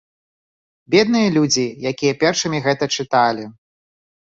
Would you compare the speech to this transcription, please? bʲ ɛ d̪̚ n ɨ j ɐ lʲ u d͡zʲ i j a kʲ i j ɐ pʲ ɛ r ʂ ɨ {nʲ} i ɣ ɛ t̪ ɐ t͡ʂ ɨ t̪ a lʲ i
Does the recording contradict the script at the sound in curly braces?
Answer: yes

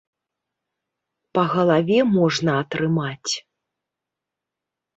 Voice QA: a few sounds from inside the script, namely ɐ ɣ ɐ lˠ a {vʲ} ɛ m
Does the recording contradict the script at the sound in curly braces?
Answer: no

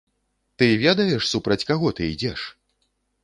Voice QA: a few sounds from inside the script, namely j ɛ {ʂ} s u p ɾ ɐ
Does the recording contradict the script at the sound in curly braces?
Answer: no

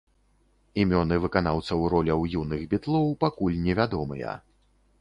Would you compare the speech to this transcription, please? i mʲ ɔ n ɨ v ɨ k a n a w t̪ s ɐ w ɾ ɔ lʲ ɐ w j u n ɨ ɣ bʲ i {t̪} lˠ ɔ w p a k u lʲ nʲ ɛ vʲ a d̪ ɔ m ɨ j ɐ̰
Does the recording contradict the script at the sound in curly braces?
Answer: no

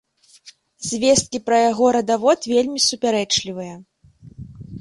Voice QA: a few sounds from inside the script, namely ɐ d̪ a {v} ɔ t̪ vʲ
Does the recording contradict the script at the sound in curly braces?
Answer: no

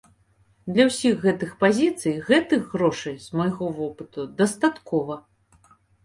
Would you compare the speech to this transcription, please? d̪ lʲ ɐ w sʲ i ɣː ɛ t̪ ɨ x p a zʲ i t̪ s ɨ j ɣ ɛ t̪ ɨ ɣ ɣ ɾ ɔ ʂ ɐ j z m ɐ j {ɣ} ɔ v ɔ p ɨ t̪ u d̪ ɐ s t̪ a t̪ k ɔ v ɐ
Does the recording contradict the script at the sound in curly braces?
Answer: no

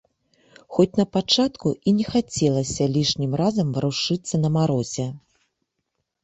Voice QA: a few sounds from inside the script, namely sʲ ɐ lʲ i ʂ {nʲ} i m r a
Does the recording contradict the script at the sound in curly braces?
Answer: no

